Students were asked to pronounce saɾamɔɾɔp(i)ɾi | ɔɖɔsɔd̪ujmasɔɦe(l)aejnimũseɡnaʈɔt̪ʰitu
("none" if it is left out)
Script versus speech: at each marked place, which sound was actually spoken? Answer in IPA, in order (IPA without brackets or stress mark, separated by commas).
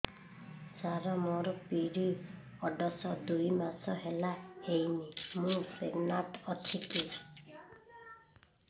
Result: i, l